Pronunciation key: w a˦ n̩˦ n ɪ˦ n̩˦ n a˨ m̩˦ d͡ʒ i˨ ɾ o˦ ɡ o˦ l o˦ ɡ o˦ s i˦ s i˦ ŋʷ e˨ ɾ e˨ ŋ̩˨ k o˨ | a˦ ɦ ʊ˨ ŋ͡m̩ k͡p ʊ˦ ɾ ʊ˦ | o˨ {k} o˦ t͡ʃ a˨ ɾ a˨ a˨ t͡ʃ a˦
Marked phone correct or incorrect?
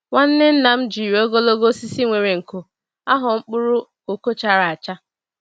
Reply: correct